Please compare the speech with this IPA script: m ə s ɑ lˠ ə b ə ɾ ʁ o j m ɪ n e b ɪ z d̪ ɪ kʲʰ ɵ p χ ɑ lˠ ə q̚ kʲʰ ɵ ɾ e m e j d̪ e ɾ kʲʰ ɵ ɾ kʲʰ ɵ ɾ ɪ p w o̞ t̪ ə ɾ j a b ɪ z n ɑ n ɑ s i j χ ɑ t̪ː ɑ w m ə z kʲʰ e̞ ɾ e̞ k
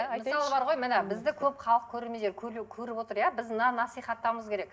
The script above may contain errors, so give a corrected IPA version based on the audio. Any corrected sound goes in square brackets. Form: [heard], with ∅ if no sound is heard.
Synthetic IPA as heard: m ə s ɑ lˠ ə b [ɑ] ɾ ʁ o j m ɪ n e b ɪ z d̪ ɪ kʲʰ ɵ p χ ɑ lˠ ə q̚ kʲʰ ɵ ɾ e m e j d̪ e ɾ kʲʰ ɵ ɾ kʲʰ ɵ ɾ ɪ p w o̞ t̪ ə ɾ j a b ɪ z n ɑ n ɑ s i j χ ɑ t̪ː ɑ w m ə z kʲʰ e̞ ɾ e̞ k